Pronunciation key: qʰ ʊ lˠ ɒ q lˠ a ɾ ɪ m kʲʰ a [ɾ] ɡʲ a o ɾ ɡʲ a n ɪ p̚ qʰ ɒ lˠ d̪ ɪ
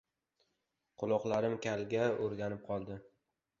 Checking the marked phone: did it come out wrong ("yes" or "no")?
yes